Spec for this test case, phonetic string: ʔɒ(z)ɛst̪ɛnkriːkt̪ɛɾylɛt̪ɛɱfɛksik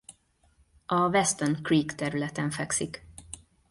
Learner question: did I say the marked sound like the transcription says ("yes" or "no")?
no